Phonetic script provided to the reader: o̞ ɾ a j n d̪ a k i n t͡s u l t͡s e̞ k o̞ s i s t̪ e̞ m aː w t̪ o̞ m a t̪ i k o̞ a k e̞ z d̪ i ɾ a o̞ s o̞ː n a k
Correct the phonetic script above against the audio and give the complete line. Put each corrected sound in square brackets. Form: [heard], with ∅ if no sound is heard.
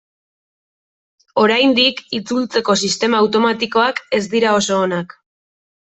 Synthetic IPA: o̞ ɾ a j n d̪ [i] k i [∅] t͡s u l t͡s e̞ k o̞ s i s t̪ e̞ m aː w t̪ o̞ m a t̪ i k o̞ a k e̞ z d̪ i ɾ a o̞ s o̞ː n a k